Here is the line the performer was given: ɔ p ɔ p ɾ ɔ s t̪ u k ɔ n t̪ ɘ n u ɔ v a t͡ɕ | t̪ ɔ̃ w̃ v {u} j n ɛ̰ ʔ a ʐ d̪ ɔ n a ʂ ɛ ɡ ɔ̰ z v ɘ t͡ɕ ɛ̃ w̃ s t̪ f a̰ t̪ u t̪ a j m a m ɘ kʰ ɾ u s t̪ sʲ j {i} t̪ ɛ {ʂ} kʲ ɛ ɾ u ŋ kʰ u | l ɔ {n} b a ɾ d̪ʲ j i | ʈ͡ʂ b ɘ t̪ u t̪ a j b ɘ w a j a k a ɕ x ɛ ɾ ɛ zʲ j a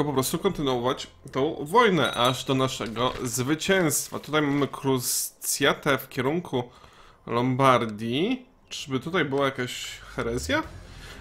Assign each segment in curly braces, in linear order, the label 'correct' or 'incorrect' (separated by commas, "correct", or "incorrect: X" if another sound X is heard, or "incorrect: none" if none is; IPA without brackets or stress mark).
incorrect: ɔ, incorrect: a, incorrect: f, incorrect: m